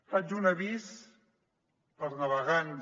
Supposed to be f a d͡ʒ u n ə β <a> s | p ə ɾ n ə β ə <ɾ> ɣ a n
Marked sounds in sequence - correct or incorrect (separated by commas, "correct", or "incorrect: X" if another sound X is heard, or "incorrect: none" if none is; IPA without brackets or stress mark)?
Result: incorrect: i, incorrect: none